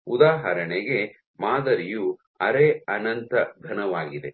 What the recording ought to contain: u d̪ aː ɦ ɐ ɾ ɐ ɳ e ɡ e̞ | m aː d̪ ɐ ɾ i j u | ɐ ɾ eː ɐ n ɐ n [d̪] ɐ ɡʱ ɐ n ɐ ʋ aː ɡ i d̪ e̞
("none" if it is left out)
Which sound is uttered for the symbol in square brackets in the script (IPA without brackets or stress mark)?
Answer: t̪